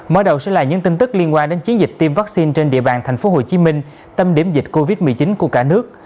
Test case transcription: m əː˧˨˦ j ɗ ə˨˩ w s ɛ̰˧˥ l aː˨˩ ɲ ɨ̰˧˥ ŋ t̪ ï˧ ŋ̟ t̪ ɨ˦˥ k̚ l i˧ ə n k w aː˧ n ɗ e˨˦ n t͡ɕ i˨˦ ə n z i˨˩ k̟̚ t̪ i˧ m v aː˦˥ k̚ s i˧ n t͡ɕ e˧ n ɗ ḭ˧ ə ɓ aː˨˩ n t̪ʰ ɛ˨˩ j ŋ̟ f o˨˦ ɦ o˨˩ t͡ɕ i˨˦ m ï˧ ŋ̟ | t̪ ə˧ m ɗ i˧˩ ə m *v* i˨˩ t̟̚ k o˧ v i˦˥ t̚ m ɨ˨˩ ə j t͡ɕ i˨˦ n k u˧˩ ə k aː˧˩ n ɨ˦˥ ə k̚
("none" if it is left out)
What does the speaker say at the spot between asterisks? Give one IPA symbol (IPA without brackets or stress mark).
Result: z